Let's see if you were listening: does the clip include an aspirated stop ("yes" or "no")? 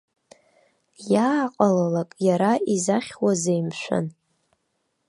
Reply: no